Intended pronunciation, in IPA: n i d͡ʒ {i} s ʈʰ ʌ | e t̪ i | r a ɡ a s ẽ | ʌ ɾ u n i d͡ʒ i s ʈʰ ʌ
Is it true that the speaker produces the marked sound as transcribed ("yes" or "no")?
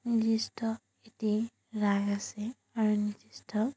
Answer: yes